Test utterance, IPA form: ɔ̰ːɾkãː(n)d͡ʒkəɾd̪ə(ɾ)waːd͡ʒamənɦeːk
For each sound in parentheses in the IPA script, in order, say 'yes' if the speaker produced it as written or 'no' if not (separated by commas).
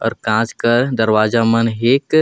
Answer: no, yes